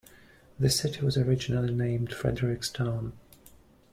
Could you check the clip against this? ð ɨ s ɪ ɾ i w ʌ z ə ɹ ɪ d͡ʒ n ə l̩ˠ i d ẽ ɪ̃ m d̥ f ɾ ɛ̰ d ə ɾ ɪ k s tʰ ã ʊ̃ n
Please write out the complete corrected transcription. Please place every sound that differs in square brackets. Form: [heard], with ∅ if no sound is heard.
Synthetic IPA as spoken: ð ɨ s ɪ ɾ i w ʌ z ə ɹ ɪ d͡ʒ n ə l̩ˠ i [n] ẽ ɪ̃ m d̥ f [ɹ] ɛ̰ d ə [ɹ] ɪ k s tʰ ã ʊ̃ n